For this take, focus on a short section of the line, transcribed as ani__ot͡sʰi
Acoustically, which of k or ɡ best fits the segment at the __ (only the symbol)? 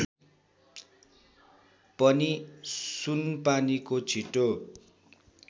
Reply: k